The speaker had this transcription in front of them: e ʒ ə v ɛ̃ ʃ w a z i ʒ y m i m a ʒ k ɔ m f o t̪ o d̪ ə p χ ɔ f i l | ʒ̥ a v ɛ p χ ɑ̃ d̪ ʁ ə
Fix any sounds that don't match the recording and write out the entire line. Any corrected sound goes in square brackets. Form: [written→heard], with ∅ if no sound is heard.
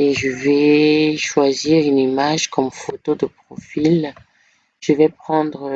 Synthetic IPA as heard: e ʒ ə v [ɛ̃→ɛ] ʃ w a z i [ʒ→ʁ] y [m→n] i m a ʒ k ɔ m f o t̪ o d̪ ə p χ ɔ f i l | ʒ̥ [a→ə] v ɛ p χ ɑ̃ d̪ ʁ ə